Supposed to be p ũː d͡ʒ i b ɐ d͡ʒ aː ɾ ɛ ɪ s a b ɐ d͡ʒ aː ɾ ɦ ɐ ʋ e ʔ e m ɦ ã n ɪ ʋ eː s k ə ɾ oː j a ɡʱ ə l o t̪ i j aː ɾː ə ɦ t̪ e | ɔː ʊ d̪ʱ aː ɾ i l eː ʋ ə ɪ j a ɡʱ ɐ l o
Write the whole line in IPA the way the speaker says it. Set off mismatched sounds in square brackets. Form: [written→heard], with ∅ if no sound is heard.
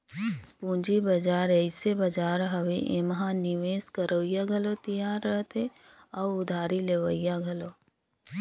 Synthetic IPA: p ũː d͡ʒ i b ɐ d͡ʒ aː ɾ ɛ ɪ s [a→e] b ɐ d͡ʒ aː ɾ ɦ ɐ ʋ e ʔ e m ɦ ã n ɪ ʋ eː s k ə ɾ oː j a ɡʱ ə l o t̪ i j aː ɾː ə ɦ t̪ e | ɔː ʊ d̪ʱ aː ɾ i l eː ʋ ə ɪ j a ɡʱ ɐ l o

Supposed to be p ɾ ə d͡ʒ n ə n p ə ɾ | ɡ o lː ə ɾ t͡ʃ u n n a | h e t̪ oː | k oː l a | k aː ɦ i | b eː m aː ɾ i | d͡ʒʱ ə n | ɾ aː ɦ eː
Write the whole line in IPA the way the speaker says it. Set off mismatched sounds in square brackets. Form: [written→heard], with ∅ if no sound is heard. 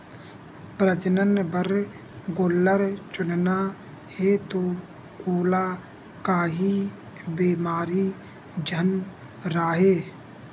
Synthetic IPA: p ɾ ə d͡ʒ n ə n [p→b] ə ɾ | ɡ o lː ə ɾ t͡ʃ [u→ʊ] n n a | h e t̪ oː | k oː l a | k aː ɦ i | b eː m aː ɾ i | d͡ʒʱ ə n | ɾ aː ɦ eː

